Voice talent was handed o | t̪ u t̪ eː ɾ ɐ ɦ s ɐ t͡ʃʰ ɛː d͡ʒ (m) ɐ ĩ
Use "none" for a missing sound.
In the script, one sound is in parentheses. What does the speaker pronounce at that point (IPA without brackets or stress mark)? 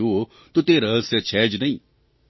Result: n